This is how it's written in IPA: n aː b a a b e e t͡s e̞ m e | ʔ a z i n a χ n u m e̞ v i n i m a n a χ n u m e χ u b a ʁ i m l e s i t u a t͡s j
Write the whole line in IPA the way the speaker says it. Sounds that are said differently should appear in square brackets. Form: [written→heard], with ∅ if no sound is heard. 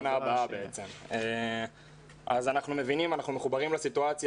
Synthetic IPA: n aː b a a b e e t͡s e̞ m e | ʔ a z [i→a] n a χ n u m e̞ v i n i m a n a χ n u m e χ u b a ʁ i m l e s i t u a t͡s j